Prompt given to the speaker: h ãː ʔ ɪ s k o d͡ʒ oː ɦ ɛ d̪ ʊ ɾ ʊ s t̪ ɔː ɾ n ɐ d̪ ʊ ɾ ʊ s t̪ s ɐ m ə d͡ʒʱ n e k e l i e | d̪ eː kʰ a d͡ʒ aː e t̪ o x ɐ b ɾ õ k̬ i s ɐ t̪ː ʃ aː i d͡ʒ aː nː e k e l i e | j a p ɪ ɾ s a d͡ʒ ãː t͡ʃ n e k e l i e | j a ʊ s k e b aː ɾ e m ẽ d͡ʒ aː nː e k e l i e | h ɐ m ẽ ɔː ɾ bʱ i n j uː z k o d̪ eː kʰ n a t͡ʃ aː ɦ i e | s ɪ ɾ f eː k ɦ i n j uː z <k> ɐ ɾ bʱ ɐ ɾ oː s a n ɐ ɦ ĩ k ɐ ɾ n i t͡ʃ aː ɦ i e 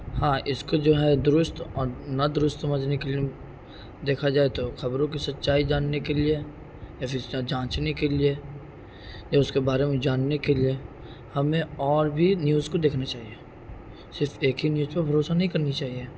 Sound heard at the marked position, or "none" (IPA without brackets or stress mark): p